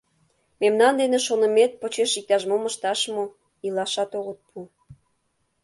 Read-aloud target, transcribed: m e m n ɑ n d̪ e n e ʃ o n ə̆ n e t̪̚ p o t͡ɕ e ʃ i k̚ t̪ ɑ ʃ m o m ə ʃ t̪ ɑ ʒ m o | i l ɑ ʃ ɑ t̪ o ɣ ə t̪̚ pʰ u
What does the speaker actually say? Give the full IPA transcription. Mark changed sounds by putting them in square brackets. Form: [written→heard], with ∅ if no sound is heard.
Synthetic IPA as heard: m e m n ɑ n d̪ e n e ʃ o n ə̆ [n→m] e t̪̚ p o t͡ɕ e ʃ i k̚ t̪ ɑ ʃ m o m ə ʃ t̪ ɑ [ʒ→ʃ] m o | i l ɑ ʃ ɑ t̪ o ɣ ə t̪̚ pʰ u